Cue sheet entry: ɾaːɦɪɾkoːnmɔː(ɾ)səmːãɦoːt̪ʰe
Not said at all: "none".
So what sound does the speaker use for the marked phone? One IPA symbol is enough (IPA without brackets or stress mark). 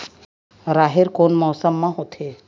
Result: none